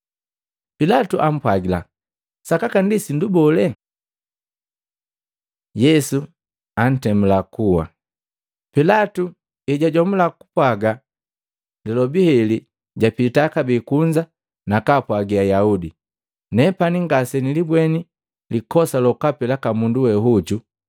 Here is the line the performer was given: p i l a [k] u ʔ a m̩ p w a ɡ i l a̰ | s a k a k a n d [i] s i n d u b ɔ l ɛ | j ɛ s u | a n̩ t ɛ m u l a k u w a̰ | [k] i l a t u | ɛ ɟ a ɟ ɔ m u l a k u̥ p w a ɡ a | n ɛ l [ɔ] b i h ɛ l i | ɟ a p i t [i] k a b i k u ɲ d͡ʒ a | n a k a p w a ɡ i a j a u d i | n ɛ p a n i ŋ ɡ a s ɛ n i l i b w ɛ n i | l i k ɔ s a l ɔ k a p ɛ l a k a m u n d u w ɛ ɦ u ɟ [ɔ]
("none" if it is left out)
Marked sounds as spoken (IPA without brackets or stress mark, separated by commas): t, i, p, ɔ, a, u